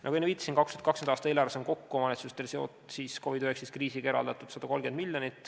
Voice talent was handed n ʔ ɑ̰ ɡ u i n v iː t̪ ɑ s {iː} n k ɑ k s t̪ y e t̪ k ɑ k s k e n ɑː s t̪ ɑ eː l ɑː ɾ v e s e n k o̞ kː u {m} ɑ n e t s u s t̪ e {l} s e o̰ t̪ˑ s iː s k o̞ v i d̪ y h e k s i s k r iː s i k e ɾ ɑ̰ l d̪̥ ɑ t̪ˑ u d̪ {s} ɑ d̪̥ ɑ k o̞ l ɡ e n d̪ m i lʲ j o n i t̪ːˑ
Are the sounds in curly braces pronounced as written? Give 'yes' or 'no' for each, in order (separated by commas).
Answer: no, yes, yes, yes